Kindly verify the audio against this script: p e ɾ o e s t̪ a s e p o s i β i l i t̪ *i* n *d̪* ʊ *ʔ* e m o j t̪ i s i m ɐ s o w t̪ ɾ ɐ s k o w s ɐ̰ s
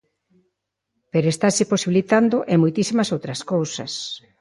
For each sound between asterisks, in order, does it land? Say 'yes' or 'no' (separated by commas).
no, yes, yes